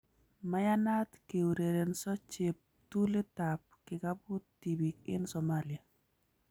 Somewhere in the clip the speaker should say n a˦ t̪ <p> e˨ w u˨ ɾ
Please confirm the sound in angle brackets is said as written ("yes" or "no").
no